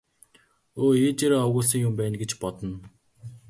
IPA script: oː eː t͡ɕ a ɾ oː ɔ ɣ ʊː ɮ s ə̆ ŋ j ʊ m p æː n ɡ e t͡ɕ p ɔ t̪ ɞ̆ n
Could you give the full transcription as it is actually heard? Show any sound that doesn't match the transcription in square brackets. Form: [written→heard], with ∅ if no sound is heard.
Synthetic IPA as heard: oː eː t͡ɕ [a→e] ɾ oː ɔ ɣ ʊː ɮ s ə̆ ŋ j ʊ m p æː n ɡ e t͡ɕ p ɔ t̪ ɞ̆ n